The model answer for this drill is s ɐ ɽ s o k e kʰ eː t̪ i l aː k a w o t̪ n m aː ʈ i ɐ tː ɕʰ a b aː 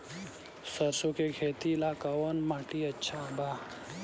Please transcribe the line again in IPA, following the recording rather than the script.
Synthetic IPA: s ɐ ɾ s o k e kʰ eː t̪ i l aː k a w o n m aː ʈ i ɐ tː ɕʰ a b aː